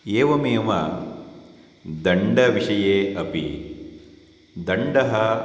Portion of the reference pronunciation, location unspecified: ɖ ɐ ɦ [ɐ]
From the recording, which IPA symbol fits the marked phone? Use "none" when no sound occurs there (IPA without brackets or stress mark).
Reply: ɐ